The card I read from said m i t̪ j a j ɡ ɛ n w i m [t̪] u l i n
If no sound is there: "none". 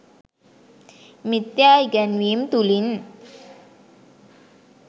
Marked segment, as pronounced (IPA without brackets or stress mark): t̪